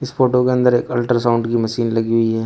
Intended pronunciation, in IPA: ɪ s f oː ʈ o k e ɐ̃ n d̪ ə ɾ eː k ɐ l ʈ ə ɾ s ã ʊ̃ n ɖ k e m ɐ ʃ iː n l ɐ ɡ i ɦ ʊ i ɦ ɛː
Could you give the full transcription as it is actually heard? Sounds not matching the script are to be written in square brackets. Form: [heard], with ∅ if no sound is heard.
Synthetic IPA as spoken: ɪ s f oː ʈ o k e ɐ̃ n d̪ ə ɾ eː k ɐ l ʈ ə ɾ s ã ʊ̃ [ɳ] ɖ k [i] m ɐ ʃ iː n l ɐ ɡ i ɦ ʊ i ɦ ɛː